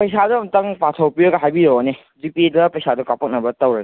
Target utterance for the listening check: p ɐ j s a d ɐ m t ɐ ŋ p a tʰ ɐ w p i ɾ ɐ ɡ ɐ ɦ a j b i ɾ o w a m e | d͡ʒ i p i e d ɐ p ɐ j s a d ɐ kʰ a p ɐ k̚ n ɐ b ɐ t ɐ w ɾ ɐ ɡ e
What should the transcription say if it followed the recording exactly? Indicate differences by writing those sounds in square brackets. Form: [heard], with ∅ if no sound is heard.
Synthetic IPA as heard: p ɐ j s a d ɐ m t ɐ ŋ p a tʰ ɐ w p i ɾ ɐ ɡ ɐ ɦ a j b i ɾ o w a [n] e | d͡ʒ i p i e d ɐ p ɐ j s a d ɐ [k] a p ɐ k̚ n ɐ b ɐ t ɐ w ɾ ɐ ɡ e